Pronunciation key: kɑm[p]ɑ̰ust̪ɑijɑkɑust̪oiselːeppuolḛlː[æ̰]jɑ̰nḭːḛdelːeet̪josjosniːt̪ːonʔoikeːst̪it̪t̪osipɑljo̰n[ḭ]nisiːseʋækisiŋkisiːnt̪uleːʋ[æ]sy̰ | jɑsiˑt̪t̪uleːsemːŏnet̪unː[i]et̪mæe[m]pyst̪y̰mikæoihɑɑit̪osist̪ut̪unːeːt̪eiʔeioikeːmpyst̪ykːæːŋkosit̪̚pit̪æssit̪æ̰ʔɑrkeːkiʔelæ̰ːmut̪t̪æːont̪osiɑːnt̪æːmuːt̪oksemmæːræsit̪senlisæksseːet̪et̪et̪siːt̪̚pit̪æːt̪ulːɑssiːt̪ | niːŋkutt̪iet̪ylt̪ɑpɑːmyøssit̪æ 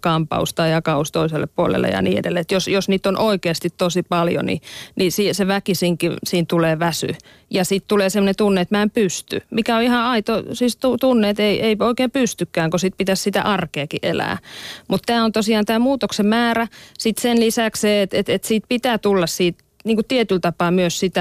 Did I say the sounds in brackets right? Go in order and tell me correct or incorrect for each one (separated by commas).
correct, incorrect, correct, correct, incorrect, correct